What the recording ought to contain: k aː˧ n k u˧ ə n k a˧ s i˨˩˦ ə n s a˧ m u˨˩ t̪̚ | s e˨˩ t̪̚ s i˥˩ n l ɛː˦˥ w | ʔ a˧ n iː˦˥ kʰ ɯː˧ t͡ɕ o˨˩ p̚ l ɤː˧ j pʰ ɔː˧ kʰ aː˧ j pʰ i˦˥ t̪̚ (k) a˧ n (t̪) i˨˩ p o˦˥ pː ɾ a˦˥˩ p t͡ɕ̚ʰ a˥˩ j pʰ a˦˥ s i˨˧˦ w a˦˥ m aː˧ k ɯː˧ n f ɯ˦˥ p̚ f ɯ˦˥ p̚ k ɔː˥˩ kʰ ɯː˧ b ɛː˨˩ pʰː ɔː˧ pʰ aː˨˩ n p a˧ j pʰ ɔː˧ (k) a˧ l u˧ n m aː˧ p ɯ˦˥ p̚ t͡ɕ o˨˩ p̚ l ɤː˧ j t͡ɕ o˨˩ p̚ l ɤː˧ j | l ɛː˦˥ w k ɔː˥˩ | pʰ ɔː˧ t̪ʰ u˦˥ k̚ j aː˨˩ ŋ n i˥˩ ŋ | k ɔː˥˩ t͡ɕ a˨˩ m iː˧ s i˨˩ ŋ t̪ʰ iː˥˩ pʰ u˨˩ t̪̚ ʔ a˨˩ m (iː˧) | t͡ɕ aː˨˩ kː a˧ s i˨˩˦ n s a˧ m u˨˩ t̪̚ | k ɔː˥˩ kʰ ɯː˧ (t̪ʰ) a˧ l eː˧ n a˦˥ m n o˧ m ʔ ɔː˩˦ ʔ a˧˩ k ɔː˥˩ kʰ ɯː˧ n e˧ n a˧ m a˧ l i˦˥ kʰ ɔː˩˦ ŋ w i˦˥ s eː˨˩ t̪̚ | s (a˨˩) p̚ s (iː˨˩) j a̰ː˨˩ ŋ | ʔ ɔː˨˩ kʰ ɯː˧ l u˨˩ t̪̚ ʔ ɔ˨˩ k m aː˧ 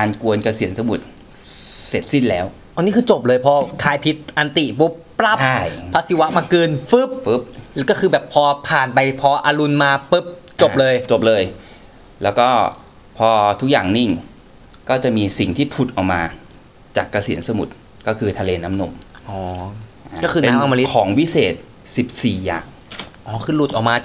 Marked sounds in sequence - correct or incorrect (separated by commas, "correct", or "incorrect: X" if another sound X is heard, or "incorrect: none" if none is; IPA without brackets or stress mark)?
incorrect: ʔ, correct, incorrect: ʔ, incorrect: aː˧, correct, incorrect: i˨˩, correct